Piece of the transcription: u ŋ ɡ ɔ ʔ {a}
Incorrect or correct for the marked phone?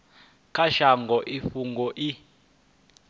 incorrect: i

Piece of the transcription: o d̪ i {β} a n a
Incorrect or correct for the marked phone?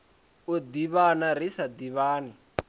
correct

